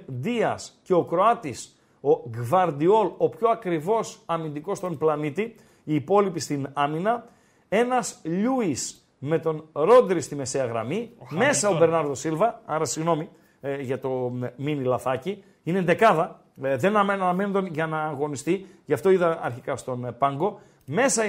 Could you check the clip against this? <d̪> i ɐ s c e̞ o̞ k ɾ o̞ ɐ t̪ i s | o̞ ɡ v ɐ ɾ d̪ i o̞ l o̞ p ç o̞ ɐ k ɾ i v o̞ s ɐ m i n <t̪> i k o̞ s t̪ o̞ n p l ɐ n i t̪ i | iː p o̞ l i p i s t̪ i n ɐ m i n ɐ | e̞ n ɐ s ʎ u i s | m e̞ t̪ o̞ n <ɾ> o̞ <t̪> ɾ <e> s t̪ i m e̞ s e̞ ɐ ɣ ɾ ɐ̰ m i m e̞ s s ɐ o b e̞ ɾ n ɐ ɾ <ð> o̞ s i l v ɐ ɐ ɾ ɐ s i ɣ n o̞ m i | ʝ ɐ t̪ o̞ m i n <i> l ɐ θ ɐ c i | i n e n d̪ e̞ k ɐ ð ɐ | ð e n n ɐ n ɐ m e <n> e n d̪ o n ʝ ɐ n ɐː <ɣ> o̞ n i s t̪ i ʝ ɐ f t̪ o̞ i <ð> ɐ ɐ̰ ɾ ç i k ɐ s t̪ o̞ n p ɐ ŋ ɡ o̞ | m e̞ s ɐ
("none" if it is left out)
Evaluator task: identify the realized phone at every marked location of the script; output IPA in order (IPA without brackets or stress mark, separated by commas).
d̪, d̪, ɾ, d̪, i, ð, i, n, ɣ, ð